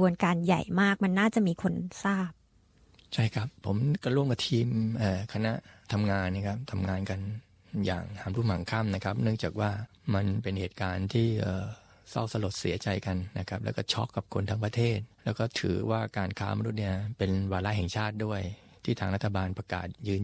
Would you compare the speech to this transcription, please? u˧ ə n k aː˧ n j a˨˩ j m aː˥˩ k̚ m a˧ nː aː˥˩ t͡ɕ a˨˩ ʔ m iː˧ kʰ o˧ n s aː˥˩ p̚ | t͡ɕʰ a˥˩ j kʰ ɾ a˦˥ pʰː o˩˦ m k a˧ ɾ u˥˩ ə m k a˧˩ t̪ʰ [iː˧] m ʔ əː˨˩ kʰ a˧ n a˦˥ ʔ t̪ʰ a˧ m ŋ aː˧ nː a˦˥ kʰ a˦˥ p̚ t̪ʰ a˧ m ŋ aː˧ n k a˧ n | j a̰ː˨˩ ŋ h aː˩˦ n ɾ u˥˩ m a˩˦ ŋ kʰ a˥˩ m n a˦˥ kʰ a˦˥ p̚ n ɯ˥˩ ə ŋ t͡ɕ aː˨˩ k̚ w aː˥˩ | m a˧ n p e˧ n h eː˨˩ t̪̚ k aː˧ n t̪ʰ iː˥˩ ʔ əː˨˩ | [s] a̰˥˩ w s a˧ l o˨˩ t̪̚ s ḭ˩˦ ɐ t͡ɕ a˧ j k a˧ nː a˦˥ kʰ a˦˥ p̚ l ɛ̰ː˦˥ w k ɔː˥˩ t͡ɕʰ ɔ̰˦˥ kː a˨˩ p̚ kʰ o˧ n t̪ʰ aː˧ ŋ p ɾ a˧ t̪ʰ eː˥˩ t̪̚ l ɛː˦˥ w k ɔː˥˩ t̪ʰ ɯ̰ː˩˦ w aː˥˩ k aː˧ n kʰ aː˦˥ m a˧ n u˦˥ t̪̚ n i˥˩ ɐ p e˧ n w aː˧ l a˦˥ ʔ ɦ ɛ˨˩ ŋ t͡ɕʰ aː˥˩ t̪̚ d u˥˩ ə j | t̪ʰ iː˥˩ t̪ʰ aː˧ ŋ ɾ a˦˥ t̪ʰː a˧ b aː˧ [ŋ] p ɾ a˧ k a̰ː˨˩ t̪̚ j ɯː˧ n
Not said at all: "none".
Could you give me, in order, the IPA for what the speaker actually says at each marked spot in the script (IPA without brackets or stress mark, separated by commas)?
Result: iː˧, s, n